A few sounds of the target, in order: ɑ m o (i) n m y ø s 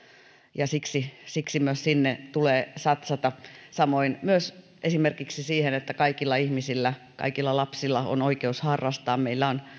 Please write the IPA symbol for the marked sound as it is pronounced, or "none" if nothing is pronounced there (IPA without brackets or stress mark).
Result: i